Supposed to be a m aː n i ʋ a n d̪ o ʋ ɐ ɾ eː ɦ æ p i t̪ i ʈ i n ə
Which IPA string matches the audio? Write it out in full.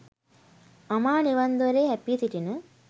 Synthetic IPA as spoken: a m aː n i ʋ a n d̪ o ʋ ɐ ɾ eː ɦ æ p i t̪ i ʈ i n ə